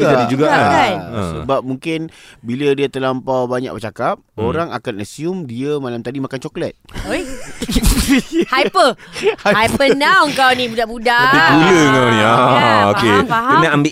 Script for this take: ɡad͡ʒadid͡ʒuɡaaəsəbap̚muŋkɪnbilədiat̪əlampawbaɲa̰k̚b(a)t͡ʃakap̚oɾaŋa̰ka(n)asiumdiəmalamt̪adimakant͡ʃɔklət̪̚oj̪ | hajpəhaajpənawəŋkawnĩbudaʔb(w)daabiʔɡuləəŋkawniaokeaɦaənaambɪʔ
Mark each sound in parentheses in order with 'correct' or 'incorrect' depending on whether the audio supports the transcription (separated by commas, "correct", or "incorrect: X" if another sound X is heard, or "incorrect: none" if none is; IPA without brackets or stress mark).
incorrect: ə, correct, incorrect: u